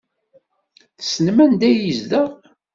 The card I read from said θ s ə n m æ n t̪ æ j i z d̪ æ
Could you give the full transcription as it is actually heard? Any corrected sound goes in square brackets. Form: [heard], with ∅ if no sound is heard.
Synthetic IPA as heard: θ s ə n m æ n [d̪] æ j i z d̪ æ